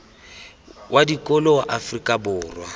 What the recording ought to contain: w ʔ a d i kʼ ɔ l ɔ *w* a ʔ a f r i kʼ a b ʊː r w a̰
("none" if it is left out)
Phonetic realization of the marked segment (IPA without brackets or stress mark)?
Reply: w